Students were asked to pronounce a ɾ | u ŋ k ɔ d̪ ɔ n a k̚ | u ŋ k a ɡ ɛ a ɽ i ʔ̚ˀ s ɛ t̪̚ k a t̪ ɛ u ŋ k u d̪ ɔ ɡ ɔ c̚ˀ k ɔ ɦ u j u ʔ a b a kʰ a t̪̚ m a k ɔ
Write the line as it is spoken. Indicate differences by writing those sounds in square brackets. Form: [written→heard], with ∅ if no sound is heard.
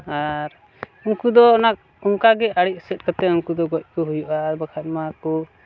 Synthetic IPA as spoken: a ɾ | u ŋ k [ɔ→u] d̪ ɔ n a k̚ | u ŋ k a ɡ ɛ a ɽ i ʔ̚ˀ s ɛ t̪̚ k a t̪ ɛ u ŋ k u d̪ ɔ ɡ ɔ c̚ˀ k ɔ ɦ u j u ʔ a b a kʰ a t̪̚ m a k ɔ